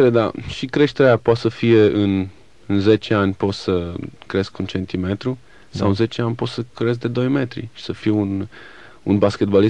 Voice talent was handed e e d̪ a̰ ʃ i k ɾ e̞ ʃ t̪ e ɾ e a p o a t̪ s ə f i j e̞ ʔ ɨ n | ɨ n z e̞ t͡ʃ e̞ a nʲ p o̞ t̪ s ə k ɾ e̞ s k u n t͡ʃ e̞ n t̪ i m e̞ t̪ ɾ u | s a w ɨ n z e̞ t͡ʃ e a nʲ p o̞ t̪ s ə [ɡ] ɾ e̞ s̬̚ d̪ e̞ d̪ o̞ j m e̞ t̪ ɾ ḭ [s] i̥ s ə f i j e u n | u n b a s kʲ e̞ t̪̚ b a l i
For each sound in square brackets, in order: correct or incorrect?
incorrect: k, incorrect: ʃ

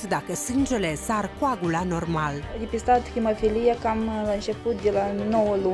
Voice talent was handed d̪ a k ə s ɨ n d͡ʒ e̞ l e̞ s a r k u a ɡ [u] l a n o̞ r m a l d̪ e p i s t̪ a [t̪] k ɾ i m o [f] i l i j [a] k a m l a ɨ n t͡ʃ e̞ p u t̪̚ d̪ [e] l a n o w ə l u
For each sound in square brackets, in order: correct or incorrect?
correct, correct, correct, correct, correct

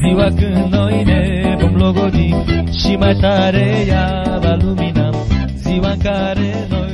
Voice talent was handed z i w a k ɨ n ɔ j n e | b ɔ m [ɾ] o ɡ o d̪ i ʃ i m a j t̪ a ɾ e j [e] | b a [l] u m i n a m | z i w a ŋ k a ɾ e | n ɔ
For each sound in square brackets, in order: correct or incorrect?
incorrect: l, incorrect: a, correct

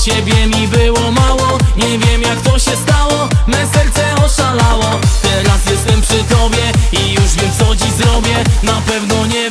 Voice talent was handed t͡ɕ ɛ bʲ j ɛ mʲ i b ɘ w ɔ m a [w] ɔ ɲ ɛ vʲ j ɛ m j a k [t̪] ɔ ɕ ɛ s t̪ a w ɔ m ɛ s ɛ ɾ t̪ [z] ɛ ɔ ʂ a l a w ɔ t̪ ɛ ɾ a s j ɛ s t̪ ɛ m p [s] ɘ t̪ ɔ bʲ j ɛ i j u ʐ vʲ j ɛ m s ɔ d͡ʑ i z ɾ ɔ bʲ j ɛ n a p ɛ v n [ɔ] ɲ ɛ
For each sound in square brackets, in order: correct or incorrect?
correct, correct, incorrect: s, incorrect: ʂ, correct

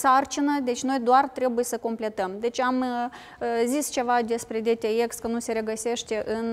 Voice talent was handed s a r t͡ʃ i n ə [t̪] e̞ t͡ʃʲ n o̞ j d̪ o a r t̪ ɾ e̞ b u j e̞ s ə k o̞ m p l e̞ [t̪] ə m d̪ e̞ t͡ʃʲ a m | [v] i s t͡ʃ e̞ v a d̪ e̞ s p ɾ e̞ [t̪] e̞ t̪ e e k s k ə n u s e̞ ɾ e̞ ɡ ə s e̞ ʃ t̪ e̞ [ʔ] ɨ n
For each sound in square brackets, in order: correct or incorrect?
incorrect: d̪, correct, incorrect: z, incorrect: d̪, correct

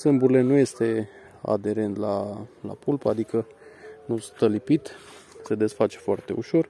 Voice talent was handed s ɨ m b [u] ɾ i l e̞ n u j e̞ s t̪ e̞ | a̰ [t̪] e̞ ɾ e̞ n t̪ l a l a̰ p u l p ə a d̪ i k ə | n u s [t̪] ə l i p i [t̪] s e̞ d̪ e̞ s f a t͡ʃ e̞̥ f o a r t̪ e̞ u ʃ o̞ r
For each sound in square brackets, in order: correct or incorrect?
correct, incorrect: d̪, correct, correct

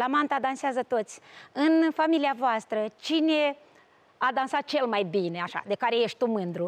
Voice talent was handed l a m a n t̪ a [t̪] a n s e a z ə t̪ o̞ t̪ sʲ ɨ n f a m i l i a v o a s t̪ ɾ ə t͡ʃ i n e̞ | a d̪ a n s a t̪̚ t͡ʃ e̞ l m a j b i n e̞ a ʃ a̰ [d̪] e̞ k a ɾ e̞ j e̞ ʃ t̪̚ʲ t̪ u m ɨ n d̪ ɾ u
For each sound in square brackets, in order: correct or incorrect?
incorrect: d̪, correct

